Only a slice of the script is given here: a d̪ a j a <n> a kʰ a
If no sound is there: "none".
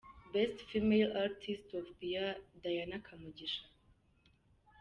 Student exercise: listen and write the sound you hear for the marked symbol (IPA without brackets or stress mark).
n